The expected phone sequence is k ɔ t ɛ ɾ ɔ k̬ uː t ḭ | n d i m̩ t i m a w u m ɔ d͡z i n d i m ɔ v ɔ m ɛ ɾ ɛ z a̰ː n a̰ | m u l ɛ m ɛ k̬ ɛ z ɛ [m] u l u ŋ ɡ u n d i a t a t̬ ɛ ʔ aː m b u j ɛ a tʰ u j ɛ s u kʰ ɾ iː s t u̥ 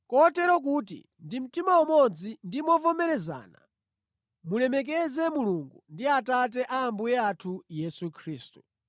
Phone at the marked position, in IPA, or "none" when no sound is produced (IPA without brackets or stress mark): m